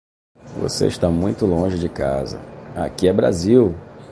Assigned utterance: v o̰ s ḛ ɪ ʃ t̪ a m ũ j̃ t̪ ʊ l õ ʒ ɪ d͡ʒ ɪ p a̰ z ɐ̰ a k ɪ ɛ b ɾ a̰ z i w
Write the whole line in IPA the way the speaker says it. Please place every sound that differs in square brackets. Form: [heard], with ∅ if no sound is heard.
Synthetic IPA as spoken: v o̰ s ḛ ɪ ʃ t̪ a m ũ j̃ t̪ ʊ l õ ʒ ɪ d͡ʒ ɪ [k] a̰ z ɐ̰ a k [i] ɛ b ɾ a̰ z i w